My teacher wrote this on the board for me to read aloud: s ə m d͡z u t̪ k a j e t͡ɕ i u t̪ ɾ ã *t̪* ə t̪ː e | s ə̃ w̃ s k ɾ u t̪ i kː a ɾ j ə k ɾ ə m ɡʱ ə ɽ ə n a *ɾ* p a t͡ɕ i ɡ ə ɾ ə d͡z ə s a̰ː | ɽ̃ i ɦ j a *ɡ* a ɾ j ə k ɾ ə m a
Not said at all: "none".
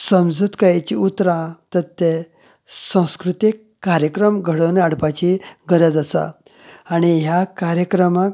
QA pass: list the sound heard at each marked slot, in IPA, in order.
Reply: t̪, ɽ, k

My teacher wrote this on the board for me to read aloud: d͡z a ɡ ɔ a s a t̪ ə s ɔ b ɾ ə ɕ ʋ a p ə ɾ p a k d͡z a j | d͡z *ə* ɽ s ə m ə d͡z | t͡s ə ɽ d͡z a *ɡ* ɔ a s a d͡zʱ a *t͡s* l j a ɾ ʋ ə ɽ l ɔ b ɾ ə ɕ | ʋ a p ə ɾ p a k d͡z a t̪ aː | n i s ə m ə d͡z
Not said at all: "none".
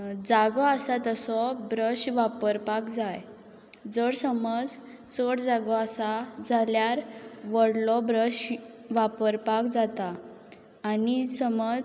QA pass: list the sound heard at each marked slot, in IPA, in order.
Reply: ə, ɡ, none

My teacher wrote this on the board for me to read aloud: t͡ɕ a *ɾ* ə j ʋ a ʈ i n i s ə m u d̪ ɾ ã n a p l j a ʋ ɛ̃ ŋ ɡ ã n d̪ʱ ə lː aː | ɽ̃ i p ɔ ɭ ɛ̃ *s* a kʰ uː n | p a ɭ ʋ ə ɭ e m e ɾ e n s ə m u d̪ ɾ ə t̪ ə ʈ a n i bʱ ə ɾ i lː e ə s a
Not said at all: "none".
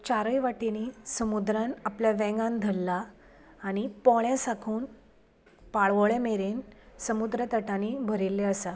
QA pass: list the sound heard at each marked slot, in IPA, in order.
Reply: ɾ, s

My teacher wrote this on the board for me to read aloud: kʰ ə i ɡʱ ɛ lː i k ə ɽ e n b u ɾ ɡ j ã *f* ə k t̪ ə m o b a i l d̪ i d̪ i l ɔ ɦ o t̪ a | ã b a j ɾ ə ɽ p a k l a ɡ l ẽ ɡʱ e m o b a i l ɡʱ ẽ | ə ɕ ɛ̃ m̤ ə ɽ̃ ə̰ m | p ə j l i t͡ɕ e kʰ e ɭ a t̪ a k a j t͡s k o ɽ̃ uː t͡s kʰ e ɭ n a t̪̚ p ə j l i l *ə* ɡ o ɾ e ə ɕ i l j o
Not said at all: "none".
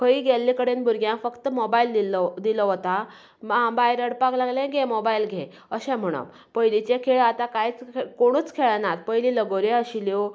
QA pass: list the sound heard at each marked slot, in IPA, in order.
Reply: f, ə

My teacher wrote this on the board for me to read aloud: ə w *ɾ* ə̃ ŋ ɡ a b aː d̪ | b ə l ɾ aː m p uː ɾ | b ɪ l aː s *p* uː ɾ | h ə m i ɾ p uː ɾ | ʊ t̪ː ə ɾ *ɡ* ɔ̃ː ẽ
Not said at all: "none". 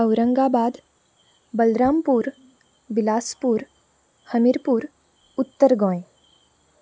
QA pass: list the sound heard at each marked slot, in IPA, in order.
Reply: ɾ, p, ɡ

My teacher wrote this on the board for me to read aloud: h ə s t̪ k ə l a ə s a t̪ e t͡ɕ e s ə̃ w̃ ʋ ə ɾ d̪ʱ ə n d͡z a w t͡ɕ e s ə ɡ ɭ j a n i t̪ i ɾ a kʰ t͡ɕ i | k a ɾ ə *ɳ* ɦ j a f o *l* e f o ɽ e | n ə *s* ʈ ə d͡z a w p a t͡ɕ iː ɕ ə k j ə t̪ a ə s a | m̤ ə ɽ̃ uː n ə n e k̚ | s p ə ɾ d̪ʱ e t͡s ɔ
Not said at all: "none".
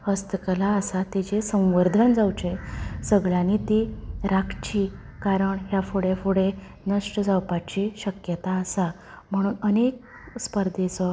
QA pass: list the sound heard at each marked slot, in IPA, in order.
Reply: ɳ, ɽ, ʂ

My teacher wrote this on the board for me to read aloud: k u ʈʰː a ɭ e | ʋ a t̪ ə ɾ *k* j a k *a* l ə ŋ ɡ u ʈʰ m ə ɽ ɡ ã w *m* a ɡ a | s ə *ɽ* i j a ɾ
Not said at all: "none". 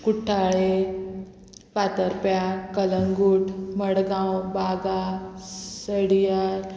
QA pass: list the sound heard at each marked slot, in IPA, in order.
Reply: p, ə, b, ɽ

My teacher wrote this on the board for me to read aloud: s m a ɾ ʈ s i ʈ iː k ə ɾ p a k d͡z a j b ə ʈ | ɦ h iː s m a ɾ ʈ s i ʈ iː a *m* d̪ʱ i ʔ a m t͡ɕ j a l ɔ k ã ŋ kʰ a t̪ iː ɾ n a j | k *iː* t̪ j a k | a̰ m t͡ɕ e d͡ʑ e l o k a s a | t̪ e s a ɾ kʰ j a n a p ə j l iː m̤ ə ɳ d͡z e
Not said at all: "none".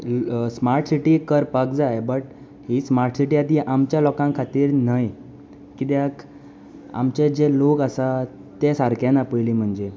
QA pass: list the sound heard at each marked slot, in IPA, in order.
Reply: none, i

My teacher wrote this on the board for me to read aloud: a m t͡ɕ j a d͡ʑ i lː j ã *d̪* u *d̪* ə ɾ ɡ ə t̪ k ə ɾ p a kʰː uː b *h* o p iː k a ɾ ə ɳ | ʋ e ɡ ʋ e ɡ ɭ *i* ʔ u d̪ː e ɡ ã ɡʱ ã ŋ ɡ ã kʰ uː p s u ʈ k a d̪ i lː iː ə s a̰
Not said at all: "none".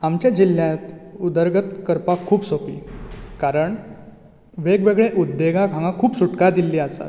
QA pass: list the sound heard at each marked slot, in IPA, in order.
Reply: t̪, d̪, s, e

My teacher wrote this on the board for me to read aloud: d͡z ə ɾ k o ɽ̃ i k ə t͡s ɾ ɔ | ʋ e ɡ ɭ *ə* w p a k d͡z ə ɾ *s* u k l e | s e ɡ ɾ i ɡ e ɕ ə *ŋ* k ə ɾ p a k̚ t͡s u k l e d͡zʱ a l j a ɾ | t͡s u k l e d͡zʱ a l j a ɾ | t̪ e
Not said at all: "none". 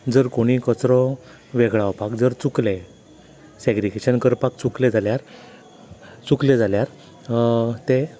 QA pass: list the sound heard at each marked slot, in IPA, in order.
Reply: a, t͡s, n

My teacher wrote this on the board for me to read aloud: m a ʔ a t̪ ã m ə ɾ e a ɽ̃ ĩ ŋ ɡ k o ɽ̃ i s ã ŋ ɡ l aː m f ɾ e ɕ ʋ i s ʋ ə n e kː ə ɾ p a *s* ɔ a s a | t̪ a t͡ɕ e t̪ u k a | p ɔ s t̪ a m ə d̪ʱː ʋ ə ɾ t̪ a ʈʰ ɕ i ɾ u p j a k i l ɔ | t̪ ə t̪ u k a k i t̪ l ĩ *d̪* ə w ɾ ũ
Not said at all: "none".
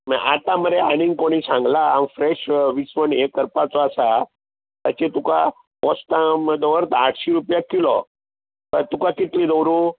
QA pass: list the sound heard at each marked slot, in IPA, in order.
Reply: t͡s, d̪

